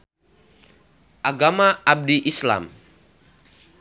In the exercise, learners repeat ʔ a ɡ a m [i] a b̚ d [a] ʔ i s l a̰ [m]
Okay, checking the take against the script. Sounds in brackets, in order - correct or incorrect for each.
incorrect: a, incorrect: i, correct

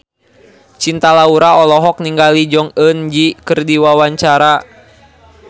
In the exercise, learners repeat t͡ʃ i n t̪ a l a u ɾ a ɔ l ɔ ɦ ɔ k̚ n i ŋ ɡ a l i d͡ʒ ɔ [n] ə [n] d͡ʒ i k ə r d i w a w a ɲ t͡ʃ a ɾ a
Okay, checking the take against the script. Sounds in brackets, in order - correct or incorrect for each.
incorrect: ŋ, correct

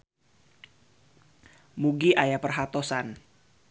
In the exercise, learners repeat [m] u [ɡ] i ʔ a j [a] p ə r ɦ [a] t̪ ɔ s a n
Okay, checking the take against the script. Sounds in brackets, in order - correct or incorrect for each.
correct, correct, correct, correct

